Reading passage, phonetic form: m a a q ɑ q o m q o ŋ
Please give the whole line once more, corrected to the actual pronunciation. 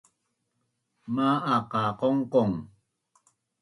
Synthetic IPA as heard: m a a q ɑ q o ŋ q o ŋ